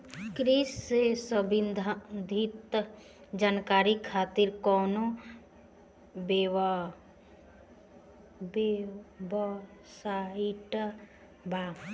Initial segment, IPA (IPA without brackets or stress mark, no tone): k